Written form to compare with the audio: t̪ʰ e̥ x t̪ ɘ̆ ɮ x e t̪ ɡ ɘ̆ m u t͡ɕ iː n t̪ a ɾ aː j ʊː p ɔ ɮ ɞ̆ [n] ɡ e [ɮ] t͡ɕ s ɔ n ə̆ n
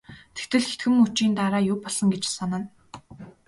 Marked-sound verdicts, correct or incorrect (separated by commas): incorrect, incorrect